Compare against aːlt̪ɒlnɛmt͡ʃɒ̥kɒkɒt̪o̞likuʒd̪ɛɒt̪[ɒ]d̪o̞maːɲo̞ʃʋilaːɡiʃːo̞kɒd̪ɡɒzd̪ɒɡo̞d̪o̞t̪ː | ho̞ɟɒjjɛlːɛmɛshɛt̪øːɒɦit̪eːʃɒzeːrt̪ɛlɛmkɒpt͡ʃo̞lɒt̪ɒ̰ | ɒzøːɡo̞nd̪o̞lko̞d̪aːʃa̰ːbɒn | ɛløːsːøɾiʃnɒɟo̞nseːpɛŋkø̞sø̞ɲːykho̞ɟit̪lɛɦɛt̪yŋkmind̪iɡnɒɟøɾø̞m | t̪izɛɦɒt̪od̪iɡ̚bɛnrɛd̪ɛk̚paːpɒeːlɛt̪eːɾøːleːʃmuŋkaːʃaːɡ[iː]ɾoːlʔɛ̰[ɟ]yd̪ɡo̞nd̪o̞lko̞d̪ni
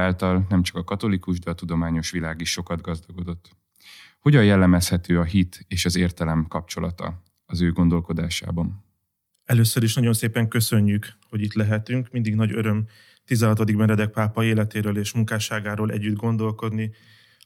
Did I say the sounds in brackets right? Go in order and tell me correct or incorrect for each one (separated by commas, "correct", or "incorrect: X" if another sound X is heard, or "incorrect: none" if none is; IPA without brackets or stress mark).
incorrect: u, incorrect: aː, incorrect: ɟː